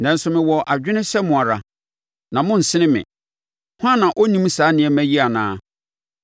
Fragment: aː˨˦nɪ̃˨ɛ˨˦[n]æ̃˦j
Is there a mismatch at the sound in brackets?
yes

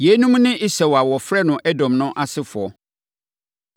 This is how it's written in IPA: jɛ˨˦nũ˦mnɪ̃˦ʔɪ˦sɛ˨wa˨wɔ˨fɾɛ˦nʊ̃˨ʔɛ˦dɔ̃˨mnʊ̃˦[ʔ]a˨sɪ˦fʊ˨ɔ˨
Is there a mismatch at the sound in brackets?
no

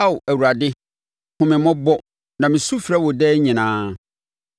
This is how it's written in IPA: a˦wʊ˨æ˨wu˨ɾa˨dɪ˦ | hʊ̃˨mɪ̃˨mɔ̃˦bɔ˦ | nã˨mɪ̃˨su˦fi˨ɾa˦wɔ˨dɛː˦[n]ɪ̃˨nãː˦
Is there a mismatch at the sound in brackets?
yes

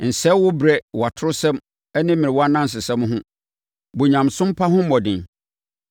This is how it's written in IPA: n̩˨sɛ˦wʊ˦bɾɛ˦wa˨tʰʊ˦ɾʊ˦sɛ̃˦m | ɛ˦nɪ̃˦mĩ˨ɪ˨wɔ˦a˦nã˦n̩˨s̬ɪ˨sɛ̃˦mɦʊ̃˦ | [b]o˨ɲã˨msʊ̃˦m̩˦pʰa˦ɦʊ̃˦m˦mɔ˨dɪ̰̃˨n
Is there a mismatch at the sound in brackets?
no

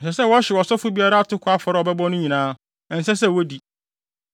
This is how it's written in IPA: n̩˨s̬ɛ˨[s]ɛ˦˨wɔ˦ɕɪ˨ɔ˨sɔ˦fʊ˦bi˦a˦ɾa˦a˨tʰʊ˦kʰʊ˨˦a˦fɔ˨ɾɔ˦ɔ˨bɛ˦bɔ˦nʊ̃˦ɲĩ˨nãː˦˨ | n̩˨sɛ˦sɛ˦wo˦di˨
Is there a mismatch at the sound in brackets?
no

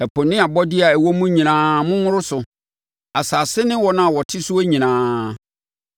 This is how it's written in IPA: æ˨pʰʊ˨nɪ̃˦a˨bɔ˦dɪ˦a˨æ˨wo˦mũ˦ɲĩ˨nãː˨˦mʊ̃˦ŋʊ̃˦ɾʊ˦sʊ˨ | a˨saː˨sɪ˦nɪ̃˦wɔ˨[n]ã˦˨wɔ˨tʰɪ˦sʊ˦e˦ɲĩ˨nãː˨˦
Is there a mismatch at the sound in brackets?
no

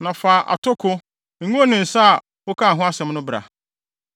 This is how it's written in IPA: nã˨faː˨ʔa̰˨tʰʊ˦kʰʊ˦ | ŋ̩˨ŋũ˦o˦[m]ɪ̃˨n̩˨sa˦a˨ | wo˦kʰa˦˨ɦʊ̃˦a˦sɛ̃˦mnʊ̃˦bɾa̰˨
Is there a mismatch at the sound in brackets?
yes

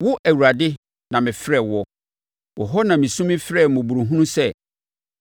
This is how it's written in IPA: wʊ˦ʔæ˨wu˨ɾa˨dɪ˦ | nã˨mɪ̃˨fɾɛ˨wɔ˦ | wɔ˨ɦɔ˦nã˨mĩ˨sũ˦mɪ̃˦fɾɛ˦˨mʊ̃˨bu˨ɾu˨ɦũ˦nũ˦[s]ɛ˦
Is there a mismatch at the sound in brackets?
no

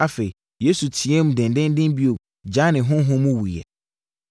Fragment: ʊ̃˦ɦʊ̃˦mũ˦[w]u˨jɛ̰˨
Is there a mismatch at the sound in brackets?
no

